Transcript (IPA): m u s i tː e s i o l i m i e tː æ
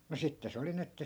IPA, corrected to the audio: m u s i tː e s e o l i n i e tː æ